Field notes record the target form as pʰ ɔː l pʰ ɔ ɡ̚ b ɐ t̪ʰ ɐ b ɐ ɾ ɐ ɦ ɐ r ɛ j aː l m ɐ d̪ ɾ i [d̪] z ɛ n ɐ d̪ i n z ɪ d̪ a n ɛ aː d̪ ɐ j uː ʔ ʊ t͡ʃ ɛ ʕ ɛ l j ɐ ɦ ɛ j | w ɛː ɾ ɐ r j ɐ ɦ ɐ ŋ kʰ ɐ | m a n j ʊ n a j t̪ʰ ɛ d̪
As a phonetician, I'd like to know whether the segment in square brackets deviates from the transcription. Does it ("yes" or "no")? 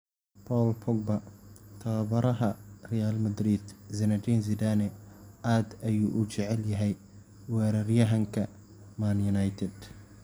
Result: no